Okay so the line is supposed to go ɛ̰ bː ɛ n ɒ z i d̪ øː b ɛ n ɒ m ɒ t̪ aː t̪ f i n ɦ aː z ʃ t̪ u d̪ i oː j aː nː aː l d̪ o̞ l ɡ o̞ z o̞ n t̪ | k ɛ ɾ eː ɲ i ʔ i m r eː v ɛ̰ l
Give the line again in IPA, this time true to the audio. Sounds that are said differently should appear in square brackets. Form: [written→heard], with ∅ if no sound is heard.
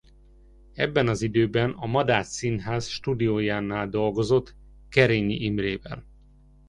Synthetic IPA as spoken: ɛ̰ bː ɛ n ɒ z i d̪ øː b ɛ n ɒ m ɒ [t̪→d̪] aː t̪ [f→s] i n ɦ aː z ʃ t̪ u d̪ i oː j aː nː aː l d̪ o̞ l ɡ o̞ z o̞ [n→∅] t̪ | k ɛ ɾ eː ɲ i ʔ i m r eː v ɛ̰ l